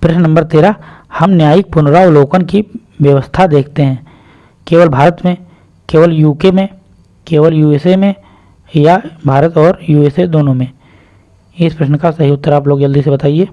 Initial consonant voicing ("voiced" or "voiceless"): voiceless